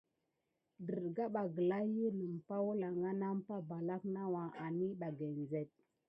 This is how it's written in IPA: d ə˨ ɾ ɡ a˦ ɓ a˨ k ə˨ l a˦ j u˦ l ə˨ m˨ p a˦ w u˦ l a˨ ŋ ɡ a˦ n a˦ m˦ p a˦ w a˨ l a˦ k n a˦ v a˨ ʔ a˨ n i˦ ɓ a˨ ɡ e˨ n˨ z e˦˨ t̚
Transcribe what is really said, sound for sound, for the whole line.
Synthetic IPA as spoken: d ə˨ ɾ ɡ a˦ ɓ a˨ ɡ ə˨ l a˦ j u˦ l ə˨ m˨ p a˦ w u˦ l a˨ ŋ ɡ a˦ n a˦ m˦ p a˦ b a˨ l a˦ k n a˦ w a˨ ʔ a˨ n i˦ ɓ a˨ ɡ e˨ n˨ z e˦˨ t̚

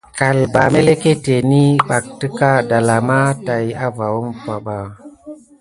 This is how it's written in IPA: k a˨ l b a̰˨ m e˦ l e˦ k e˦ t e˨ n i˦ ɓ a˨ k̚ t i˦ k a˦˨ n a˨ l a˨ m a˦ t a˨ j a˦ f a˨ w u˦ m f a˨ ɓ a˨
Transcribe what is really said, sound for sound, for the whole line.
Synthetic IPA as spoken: k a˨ l b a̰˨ m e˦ l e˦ k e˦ t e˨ n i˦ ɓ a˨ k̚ t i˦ k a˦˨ d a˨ l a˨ m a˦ t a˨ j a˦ v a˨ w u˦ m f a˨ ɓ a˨

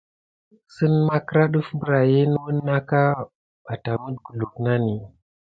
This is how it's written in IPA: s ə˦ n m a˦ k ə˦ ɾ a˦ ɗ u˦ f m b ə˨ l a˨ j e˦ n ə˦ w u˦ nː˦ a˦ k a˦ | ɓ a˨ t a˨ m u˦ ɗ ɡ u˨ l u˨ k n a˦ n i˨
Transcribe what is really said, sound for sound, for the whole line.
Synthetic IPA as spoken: s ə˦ n m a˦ k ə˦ ɾ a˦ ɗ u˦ f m b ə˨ ɾ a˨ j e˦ n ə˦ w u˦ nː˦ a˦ k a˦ | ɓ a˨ t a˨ m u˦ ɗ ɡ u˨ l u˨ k n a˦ n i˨

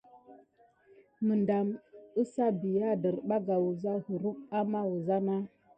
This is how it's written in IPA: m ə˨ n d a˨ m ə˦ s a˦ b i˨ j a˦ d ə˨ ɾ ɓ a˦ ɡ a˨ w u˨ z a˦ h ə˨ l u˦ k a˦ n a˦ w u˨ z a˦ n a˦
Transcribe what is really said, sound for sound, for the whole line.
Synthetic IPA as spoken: m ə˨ n d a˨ m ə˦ s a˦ b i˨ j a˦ d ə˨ ɾ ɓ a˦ ɡ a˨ w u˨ z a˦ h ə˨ ɾ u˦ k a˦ m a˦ w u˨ z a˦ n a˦

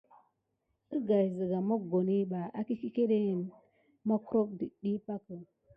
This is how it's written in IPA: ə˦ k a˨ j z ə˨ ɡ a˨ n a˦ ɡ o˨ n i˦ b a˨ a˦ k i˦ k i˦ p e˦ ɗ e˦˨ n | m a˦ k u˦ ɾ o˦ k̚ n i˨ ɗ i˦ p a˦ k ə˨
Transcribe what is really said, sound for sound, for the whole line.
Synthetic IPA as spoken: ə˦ ɡ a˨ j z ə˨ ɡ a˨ m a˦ ɡ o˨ n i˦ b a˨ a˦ k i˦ k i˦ k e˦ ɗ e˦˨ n | m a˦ k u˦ ɾ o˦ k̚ d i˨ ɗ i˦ p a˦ k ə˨

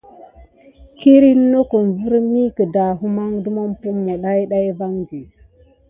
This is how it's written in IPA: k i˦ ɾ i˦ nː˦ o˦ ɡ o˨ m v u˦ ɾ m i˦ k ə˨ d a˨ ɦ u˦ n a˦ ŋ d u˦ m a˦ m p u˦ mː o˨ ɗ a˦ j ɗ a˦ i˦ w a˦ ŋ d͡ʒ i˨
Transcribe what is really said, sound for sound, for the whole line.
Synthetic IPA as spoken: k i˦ ɾ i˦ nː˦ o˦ k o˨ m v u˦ ɾ m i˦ k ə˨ d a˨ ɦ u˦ m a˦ ŋ d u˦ m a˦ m p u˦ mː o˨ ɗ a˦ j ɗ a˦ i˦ v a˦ ŋ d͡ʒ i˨

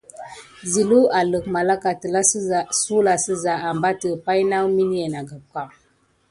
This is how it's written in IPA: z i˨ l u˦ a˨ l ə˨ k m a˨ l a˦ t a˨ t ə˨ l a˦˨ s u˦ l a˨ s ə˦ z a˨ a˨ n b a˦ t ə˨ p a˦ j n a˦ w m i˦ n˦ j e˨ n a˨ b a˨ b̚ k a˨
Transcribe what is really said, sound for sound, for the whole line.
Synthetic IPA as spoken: z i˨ l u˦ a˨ l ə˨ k m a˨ l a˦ k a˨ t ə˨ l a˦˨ s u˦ l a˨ s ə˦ z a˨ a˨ m b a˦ t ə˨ p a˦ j n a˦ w m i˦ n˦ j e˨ n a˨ ɡ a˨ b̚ k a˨

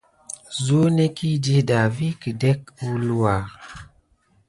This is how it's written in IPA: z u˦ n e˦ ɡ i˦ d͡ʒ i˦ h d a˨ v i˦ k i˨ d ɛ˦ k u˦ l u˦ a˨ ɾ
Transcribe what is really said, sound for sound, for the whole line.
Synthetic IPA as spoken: z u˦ n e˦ k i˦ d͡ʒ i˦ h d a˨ v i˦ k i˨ d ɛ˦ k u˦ l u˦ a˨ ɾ

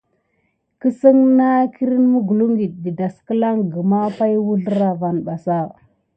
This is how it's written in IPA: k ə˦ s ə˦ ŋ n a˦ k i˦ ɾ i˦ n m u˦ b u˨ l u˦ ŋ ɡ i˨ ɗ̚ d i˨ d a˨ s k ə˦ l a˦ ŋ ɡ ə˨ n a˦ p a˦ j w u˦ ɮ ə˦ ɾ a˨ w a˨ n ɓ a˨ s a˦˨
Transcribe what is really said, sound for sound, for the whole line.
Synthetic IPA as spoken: k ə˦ s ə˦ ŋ n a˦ k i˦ ɾ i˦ n m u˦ ɡ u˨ l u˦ ŋ ɡ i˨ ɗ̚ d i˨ d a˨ s k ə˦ l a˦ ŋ ɡ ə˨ m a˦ p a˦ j w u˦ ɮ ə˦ ɾ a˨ v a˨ n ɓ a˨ s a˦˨

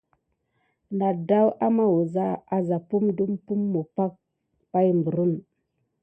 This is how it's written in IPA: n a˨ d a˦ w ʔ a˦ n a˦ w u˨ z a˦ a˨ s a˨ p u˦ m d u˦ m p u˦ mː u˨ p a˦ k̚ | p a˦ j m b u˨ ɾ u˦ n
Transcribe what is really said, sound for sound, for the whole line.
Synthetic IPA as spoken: n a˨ d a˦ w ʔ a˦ m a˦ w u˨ z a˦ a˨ z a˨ p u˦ m d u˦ m p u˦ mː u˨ p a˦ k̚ | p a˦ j m b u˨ ɾ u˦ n

